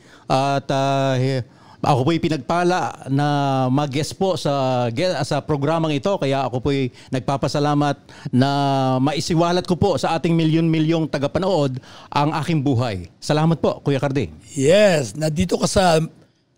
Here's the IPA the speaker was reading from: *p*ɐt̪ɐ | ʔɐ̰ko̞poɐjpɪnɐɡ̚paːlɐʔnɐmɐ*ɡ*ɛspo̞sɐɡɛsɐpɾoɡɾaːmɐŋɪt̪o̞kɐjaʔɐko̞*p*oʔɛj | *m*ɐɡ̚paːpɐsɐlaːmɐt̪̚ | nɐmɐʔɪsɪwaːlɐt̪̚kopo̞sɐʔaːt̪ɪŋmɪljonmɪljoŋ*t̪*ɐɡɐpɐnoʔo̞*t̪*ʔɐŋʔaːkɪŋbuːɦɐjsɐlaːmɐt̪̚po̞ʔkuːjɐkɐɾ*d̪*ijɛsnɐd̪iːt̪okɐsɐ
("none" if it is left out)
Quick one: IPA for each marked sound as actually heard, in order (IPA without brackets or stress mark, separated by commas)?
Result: ʔ, ɡ, p, n, t̪, d̪, d̪